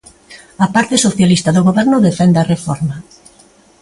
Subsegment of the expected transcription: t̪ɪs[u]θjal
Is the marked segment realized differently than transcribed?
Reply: yes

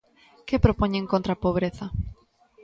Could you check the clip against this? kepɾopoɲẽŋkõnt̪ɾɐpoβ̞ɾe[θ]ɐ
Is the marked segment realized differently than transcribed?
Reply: no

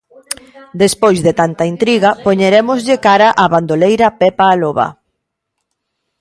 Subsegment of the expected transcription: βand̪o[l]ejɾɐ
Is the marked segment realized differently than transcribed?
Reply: no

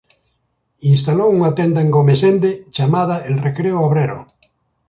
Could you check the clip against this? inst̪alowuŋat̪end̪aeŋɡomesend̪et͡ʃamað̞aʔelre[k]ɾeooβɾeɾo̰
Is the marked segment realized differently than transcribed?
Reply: no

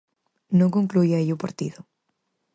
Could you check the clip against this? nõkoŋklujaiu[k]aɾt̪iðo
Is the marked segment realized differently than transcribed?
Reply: yes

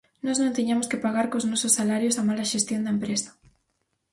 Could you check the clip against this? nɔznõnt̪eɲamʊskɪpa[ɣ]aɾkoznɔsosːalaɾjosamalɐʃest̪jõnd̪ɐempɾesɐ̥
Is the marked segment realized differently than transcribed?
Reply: no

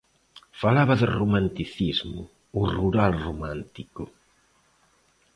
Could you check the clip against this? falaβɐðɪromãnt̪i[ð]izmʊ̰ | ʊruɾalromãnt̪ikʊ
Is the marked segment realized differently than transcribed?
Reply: yes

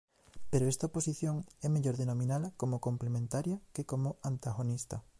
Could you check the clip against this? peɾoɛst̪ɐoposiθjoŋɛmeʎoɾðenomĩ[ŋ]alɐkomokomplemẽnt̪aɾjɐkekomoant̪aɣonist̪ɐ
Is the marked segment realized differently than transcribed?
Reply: yes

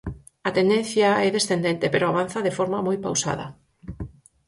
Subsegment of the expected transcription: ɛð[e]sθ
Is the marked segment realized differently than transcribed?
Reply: no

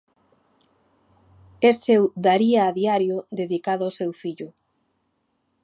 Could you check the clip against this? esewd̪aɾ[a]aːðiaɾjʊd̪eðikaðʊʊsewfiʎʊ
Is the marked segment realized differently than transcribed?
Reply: yes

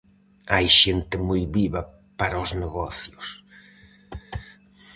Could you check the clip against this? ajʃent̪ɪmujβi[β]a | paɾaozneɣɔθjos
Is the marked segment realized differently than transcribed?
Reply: no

